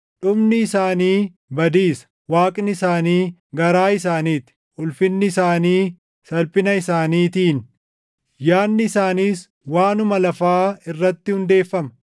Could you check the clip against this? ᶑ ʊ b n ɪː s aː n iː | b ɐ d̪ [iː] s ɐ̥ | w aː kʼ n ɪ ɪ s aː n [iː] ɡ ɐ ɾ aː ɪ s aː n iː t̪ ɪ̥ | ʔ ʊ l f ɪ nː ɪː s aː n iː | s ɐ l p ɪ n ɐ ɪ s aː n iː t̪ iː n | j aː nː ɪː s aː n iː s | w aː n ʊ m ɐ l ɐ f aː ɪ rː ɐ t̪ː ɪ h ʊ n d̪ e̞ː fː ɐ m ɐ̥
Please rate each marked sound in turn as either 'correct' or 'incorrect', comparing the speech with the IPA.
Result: correct, correct

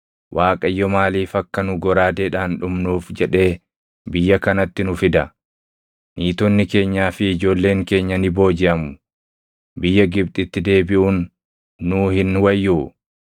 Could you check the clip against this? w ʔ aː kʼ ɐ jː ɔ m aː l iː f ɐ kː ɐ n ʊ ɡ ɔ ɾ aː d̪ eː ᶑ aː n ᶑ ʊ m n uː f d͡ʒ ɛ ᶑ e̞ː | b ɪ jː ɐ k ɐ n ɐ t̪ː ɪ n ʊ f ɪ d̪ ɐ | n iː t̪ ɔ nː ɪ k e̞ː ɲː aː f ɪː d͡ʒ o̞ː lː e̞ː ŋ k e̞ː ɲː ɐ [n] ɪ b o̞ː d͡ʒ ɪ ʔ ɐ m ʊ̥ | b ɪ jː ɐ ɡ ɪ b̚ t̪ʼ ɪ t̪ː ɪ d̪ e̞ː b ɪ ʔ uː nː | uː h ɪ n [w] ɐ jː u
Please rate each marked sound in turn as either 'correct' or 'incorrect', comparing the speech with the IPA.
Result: correct, correct

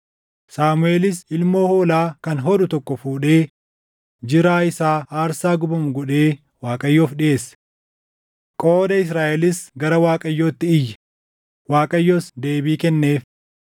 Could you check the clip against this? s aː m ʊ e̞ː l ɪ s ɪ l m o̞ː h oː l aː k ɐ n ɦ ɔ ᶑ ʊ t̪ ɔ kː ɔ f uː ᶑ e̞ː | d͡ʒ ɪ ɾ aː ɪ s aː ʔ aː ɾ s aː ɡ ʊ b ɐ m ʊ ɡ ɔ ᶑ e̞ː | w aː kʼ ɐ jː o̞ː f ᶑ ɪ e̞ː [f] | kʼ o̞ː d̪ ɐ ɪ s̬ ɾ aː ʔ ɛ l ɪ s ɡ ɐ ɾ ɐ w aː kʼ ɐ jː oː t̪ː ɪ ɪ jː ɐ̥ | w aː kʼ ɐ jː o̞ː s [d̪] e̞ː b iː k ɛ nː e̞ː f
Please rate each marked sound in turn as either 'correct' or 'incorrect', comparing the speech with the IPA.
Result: incorrect, correct

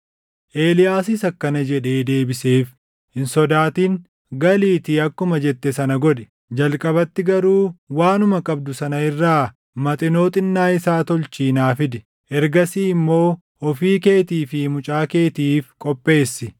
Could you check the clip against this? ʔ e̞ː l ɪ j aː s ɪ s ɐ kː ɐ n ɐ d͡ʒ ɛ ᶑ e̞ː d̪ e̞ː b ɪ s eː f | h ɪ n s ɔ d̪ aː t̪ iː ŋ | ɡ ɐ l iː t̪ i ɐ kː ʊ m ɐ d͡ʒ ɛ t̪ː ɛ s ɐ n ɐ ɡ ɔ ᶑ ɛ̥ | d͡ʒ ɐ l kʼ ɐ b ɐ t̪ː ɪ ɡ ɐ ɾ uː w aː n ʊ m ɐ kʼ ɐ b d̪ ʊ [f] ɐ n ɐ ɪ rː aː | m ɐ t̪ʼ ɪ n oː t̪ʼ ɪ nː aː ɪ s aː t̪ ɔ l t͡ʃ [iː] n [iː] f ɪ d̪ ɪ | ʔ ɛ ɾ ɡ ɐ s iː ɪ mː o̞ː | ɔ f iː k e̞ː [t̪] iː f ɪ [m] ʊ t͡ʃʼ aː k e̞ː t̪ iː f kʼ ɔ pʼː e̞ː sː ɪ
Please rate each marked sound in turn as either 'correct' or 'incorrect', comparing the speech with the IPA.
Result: incorrect, correct, incorrect, correct, correct

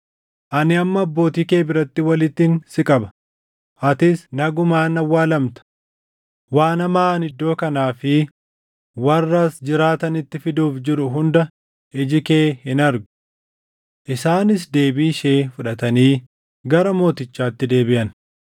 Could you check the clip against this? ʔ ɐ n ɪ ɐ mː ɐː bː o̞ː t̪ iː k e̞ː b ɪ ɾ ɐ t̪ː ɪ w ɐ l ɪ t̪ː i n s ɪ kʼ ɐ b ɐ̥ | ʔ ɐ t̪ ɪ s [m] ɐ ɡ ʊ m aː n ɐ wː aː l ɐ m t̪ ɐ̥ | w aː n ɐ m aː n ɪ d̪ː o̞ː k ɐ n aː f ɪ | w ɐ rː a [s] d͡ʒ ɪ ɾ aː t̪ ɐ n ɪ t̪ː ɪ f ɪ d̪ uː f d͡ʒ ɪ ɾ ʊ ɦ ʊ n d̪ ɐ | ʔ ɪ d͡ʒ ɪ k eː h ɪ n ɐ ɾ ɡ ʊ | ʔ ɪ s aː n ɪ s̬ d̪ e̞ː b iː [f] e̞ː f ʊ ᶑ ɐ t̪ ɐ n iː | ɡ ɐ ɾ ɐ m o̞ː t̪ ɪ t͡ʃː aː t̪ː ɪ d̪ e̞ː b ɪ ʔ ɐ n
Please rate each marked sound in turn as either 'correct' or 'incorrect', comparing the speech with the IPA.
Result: incorrect, correct, incorrect

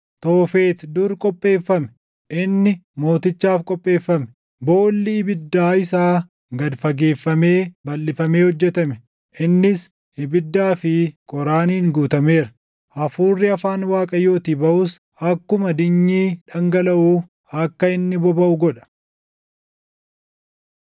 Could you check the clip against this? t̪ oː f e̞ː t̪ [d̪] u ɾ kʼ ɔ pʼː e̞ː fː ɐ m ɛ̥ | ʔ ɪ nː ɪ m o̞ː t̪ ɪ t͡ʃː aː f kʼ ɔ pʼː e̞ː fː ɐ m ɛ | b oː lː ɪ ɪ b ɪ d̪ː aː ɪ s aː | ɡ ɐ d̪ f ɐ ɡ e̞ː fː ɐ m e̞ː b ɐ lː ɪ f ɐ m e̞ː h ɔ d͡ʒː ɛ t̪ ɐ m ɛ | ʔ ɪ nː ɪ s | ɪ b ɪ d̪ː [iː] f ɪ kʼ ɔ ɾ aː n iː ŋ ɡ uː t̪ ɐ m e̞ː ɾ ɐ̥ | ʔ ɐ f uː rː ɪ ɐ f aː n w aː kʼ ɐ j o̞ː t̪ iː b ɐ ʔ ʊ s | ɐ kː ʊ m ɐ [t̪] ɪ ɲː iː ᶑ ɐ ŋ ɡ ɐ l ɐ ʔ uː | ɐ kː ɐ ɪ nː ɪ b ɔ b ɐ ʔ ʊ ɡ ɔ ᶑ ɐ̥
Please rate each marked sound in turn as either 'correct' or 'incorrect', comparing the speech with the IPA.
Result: correct, incorrect, incorrect

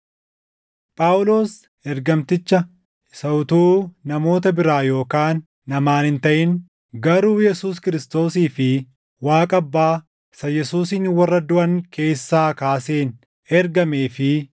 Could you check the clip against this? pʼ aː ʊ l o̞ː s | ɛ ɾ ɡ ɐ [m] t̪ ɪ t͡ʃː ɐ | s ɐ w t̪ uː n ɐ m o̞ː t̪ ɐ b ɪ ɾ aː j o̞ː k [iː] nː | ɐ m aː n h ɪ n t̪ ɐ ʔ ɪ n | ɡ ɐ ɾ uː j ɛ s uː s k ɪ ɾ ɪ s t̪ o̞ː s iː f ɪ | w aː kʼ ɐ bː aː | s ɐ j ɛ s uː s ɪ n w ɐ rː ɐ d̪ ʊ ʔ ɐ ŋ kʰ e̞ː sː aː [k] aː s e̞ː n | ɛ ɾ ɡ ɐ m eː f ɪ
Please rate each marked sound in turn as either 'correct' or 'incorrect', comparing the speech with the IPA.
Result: correct, incorrect, correct

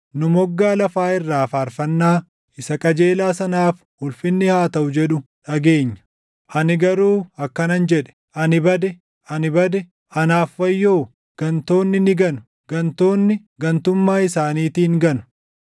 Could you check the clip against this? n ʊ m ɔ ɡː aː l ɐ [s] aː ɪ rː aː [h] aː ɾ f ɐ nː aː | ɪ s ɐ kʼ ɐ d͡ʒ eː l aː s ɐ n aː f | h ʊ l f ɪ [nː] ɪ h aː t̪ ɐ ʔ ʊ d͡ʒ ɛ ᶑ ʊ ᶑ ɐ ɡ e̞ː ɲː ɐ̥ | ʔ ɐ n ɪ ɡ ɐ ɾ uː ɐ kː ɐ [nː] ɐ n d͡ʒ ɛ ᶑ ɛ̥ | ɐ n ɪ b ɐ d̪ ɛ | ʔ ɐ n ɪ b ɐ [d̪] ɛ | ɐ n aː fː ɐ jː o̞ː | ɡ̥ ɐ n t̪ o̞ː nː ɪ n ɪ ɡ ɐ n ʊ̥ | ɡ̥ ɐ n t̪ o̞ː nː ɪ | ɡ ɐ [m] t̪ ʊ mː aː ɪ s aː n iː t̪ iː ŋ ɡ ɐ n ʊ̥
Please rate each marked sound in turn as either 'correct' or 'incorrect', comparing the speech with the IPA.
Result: incorrect, incorrect, correct, incorrect, correct, incorrect

